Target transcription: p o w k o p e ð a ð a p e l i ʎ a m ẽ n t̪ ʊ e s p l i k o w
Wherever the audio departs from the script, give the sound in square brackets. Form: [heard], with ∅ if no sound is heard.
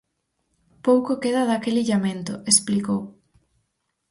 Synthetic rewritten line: p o w k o [k] e ð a ð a [k] e l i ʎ a m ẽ n t̪ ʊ e s p l i k o w